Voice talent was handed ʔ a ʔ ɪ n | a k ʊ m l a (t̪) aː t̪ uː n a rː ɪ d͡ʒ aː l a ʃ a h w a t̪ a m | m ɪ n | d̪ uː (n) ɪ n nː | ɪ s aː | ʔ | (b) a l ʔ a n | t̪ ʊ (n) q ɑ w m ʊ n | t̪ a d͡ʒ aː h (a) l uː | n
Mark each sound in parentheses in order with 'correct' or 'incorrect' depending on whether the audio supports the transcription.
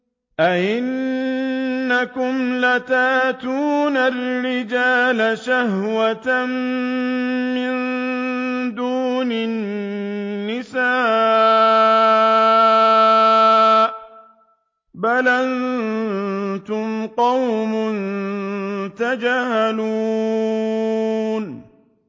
correct, correct, correct, incorrect: m, correct

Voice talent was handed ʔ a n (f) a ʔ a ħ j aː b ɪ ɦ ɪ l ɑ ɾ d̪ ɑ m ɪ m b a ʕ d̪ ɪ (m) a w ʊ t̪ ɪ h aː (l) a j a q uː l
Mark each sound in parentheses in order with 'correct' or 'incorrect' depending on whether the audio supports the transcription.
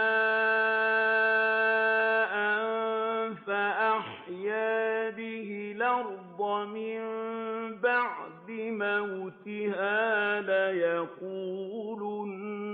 correct, correct, correct

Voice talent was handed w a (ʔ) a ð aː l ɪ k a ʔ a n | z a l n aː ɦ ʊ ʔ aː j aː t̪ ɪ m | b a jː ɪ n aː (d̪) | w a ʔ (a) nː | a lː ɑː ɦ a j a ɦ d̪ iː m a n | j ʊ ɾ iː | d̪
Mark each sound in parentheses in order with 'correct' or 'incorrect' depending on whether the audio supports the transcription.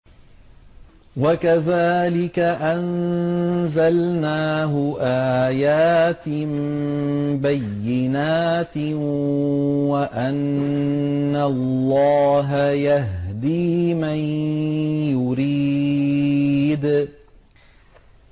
incorrect: k, incorrect: t̪, correct

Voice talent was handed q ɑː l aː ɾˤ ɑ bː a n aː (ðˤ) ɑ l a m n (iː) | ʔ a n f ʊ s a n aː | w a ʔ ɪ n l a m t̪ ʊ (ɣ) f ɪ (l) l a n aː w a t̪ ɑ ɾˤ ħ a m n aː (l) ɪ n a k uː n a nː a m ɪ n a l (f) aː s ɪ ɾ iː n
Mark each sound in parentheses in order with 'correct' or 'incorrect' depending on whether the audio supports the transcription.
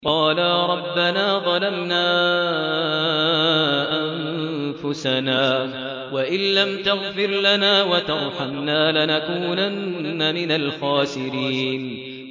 correct, incorrect: aː, correct, incorrect: ɾ, correct, incorrect: x

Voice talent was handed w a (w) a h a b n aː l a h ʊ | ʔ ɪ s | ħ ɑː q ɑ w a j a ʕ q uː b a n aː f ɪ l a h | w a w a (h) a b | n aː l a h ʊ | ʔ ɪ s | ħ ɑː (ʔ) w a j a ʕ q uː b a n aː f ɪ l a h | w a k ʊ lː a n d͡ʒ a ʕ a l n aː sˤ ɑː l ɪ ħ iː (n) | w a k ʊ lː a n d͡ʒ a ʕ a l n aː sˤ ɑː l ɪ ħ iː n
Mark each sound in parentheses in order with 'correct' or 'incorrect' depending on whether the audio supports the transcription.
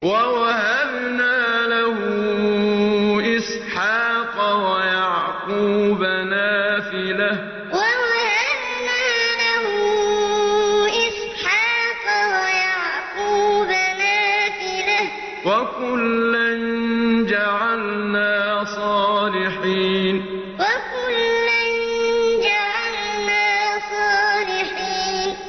correct, correct, incorrect: q, correct

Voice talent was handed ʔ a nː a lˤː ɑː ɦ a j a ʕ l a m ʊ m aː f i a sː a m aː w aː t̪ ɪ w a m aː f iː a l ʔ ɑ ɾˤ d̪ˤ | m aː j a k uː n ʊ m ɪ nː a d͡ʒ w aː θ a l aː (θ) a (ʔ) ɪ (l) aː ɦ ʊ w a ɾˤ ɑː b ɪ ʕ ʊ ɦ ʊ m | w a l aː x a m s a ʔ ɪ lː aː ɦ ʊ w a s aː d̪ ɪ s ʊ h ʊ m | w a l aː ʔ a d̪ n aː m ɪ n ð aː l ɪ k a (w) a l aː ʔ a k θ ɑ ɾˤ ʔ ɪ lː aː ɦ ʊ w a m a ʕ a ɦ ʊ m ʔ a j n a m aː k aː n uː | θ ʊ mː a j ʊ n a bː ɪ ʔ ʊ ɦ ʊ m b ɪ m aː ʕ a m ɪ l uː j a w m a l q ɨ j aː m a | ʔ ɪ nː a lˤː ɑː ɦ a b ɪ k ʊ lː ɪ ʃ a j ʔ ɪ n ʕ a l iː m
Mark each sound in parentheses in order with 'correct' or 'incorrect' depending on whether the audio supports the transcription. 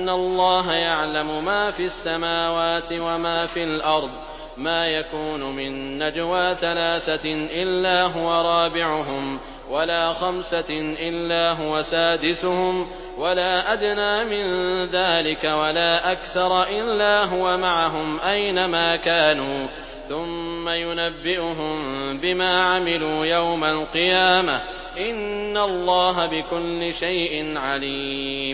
correct, correct, incorrect: lː, correct

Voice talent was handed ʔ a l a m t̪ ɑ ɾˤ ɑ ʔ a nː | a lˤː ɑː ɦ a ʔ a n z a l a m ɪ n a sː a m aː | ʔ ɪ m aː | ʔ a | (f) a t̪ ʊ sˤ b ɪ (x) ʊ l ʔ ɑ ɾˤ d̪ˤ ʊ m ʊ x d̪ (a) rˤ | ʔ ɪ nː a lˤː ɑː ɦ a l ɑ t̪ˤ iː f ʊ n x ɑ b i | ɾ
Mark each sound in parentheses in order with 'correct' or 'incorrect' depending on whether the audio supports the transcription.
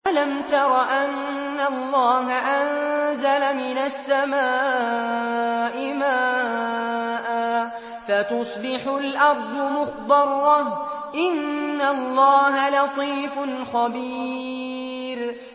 correct, incorrect: ħ, incorrect: ɑ

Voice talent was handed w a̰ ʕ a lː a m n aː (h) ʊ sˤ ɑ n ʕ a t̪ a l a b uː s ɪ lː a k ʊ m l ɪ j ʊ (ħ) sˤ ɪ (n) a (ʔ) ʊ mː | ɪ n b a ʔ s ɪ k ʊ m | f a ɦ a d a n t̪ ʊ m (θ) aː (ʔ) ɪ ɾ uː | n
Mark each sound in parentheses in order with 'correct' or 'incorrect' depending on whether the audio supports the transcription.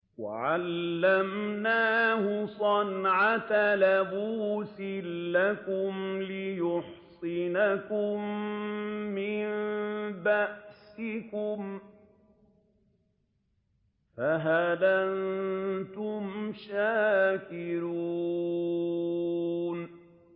correct, correct, correct, incorrect: k, incorrect: ʃ, incorrect: k

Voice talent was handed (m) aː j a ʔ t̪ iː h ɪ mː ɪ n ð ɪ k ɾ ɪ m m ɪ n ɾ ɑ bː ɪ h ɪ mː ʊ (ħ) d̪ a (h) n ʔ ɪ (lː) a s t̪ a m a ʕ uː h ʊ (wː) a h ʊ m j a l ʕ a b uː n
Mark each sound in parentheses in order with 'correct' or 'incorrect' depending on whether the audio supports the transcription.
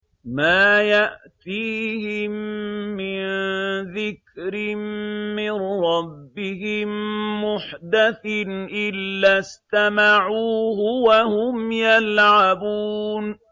correct, correct, incorrect: θ, correct, incorrect: w

